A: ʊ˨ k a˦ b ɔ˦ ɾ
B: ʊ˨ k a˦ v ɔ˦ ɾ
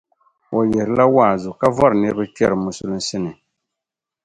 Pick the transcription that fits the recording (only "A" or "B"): B